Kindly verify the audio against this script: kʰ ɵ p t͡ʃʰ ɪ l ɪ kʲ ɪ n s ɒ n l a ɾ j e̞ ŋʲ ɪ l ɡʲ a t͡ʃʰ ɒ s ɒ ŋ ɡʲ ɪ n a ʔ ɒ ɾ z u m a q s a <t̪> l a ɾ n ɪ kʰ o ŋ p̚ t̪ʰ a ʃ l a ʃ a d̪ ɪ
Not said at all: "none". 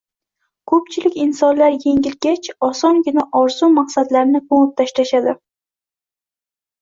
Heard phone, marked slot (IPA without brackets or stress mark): d̪